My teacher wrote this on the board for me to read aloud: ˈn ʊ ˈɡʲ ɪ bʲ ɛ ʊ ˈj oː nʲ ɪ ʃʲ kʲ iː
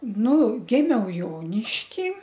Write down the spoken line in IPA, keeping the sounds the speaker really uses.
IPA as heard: ˈn ʊ ˈɡʲ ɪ mʲ ɛ ʊ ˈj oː nʲ ɪ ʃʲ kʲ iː